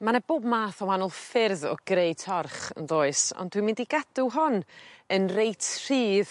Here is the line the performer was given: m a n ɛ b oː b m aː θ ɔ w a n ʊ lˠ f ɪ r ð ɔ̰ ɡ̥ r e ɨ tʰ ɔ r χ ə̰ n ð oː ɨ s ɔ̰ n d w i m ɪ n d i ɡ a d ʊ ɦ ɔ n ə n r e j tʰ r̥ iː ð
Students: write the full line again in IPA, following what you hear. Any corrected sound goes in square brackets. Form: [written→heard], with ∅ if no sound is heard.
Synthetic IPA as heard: m a n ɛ b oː b m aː θ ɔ w a n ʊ lˠ f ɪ r ð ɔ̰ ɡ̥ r e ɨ tʰ ɔ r χ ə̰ n ð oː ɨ s ɔ̰ n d w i m ɪ n d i ɡ a d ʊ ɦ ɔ n ə n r e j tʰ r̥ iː ð